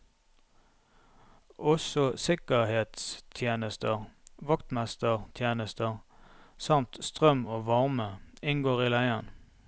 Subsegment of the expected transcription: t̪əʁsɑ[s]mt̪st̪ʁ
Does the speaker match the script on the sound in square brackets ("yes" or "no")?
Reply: no